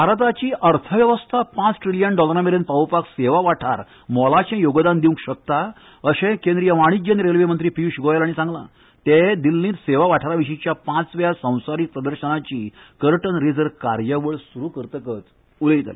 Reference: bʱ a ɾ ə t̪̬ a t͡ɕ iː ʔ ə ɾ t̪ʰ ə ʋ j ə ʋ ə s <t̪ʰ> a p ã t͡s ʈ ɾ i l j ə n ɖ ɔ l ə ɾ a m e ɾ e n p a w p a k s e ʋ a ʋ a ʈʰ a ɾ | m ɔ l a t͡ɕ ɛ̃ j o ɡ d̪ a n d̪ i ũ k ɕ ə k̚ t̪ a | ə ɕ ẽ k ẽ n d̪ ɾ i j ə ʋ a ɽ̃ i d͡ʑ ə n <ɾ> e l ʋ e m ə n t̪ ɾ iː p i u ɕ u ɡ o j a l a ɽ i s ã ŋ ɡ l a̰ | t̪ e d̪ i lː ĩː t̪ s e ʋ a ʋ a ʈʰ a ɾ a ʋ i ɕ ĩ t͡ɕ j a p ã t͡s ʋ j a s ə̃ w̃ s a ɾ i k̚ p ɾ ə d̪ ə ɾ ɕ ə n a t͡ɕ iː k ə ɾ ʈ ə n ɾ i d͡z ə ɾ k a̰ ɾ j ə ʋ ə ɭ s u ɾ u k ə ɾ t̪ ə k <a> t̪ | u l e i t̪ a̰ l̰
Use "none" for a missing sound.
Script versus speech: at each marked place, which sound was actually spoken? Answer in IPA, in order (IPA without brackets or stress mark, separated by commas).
t̪ʰ, ɾ, ə